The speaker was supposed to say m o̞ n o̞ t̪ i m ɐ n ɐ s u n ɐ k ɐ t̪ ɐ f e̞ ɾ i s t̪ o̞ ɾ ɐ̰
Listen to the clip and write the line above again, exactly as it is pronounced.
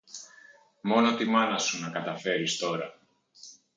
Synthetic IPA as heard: m o̞ n o̞ t̪ i m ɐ n ɐ s u n ɐ k ɐ t̪ ɐ f e̞ ɾ i s t̪ o̞ ɾ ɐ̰